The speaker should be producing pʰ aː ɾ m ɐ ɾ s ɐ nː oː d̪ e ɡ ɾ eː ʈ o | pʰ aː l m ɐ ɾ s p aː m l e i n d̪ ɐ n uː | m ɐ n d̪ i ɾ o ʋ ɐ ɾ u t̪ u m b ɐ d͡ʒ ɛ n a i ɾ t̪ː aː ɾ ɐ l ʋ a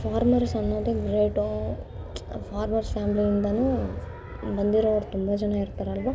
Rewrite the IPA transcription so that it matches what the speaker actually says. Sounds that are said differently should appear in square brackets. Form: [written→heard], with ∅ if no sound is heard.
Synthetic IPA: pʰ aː ɾ m ɐ ɾ s ɐ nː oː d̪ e ɡ ɾ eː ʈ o | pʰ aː [l→ɾ] m ɐ ɾ s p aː m l [e→i] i n d̪ ɐ n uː | [m→b] ɐ n d̪ i ɾ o ʋ ɐ ɾ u t̪ u m b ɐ d͡ʒ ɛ n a i ɾ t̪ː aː ɾ ɐ l ʋ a